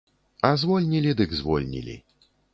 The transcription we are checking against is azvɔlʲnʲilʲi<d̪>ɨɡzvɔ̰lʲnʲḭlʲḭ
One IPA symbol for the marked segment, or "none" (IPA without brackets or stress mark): d̪